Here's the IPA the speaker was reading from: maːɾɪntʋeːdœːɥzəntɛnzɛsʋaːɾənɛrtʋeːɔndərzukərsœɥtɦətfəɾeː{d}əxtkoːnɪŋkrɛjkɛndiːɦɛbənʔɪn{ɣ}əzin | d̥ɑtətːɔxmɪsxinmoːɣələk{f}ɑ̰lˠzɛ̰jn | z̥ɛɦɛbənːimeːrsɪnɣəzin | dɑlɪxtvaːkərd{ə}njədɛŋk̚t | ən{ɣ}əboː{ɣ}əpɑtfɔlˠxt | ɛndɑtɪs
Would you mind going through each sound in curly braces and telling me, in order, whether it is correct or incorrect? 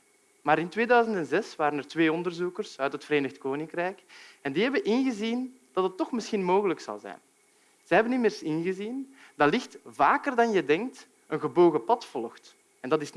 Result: incorrect: n, correct, incorrect: s, incorrect: ɑ, correct, correct

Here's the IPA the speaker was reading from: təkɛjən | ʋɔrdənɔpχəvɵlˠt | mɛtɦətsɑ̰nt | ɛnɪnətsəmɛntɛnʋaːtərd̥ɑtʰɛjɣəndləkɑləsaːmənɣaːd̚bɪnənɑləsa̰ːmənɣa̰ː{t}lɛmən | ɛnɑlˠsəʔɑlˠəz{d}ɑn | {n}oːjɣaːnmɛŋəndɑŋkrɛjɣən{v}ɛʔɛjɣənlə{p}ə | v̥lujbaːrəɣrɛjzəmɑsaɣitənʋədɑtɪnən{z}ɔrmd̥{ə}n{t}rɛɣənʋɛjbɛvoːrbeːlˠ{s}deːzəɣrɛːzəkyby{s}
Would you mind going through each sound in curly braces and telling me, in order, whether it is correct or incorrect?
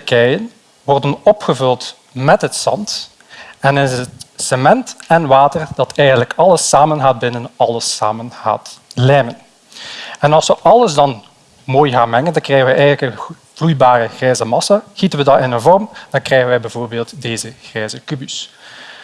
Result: correct, correct, incorrect: m, incorrect: ʋ, incorrect: k, incorrect: v, incorrect: ɑ, incorrect: k, incorrect: t, correct

